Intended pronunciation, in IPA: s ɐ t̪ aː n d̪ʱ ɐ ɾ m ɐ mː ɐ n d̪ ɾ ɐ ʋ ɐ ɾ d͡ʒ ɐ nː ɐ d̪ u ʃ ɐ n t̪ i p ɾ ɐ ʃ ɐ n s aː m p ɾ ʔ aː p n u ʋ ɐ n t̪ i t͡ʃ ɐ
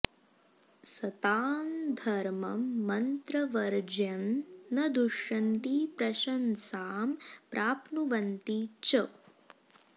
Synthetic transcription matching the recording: s ɐ t̪ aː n d̪ʱ ɐ ɾ m ɐ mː ɐ n t̪ ɾ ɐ ʋ ɐ ɾ d͡ʒ ɐ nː ɐ d̪ u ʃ ɐ n t̪ i p ɾ ɐ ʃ ɐ n s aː m p ɾ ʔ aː p n u ʋ ɐ n t̪ i t͡ʃ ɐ